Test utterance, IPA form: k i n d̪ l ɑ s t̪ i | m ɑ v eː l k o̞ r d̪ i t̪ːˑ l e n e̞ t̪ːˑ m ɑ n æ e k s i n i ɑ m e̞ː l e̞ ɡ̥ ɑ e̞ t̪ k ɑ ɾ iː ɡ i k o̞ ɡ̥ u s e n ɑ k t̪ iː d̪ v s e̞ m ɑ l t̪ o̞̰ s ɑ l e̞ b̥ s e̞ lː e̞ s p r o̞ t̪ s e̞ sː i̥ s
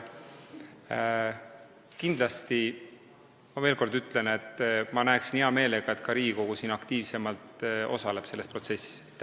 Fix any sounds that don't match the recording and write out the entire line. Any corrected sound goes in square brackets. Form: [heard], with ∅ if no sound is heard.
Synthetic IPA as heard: k i n d̪ l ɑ s t̪ i | m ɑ v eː l k o̞ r d̪ [y] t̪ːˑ l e n e̞ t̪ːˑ m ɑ n æ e k s i n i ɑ m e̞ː l e̞ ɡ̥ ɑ e̞ t̪ k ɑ ɾ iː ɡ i k o̞ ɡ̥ u s [i] n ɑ k t̪ iː [∅] v s e̞ m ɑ l t̪ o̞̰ s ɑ l e̞ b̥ s e̞ lː e̞ s p r o̞ t̪ s e̞ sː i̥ s